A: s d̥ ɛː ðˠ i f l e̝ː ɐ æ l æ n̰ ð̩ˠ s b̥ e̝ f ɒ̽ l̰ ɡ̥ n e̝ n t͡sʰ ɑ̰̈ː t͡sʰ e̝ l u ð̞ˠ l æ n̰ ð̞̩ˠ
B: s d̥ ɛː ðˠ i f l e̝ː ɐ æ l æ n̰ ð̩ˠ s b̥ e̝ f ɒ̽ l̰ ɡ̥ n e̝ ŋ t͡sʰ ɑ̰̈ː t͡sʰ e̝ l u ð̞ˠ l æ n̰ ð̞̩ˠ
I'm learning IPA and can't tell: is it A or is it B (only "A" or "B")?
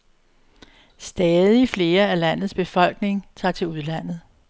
B